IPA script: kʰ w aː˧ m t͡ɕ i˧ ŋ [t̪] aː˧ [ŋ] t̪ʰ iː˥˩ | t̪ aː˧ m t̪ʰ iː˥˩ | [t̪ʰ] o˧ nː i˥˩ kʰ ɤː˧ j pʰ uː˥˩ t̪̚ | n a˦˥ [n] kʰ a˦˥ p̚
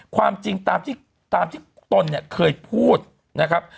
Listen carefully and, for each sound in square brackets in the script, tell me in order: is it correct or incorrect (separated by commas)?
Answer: correct, incorrect, incorrect, incorrect